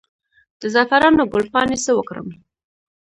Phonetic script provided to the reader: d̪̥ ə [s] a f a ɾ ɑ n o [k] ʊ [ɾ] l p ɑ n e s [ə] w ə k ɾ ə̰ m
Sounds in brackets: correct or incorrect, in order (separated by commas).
incorrect, incorrect, incorrect, correct